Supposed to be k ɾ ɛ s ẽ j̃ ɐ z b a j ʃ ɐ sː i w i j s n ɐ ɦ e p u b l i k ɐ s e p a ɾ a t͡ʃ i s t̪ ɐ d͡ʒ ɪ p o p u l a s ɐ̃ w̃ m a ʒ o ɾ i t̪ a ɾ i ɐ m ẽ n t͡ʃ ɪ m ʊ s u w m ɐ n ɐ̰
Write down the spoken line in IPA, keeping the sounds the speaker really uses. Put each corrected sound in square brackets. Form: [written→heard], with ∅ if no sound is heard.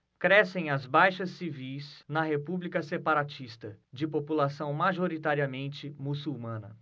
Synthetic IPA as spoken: k ɾ ɛ s ẽ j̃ ɐ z b a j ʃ ɐ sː i [w→v] i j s n ɐ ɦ e p u b l i k ɐ s e p a ɾ a t͡ʃ i s t̪ ɐ d͡ʒ ɪ p o p u l a s ɐ̃ w̃ m a ʒ o ɾ i t̪ a ɾ i ɐ m ẽ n t͡ʃ ɪ m [ʊ→u] s u w m [ɐ→ɐ̃] n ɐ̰